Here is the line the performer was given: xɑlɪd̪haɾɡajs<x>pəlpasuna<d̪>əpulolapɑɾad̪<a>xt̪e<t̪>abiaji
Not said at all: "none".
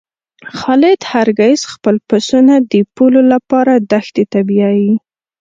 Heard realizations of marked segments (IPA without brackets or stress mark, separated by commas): x, d̪, a, t̪